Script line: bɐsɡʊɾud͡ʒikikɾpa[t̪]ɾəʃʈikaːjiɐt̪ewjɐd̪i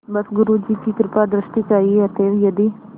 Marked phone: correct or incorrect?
incorrect